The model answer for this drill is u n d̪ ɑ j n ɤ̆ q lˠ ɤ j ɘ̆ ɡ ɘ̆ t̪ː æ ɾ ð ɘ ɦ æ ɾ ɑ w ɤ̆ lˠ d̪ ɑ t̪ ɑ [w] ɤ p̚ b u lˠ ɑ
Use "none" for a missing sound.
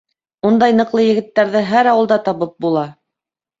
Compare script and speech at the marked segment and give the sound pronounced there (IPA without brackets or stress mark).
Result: β